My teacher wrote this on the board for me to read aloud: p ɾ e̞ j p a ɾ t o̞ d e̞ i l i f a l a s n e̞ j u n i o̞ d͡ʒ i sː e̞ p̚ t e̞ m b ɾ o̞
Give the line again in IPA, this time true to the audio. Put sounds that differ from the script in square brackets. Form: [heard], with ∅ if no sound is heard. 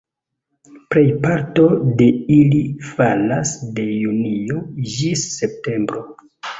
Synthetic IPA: p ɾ e̞ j p a ɾ t o̞ d e̞ i l i f a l a s [d] e̞ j u n i o̞ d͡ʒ i sː e̞ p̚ t e̞ m b ɾ o̞

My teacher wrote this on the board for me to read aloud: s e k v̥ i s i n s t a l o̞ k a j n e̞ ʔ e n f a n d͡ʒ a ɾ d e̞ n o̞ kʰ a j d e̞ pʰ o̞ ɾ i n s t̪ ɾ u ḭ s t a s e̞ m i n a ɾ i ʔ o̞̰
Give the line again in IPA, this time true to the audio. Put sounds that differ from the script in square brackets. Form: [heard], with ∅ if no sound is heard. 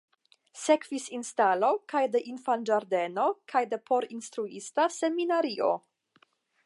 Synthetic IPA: s e k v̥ i s i n s t a l o̞ k a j [d] e̞ ʔ [i] n f a n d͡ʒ a ɾ d e̞ n o̞ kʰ a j d e̞ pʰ o̞ ɾ i n s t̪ ɾ u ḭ s t a s e̞ m i n a ɾ i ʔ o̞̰

